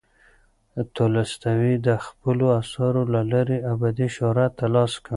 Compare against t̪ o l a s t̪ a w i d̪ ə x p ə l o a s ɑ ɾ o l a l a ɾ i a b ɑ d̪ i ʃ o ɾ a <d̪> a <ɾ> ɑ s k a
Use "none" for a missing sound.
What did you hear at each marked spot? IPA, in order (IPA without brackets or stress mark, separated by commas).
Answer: t̪, l